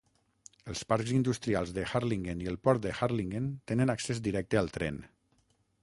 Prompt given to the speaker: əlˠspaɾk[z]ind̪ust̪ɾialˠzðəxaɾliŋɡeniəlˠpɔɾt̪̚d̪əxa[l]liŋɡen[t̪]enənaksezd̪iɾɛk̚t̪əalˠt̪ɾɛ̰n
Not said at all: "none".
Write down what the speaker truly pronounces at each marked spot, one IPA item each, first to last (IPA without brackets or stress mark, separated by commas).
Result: z, ɾ, t̪